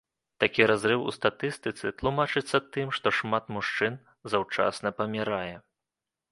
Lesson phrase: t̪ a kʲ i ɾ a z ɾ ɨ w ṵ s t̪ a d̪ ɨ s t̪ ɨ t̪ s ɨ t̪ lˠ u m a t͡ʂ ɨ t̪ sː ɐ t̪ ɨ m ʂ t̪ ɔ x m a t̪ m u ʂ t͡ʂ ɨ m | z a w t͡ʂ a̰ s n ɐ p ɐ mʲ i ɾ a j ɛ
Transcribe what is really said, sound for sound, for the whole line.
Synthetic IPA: t̪ a kʲ i ɾ a z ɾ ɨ w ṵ s t̪ a t̪ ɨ s t̪ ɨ t̪ s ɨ t̪ lˠ u m a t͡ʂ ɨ t̪ sː ɐ t̪ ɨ m ʂ t̪ ɔ ʂ m a t̪ m u ʂ t͡ʂ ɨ n | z a w t͡ʂ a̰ s n ɐ p ɐ mʲ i ɾ a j ɛ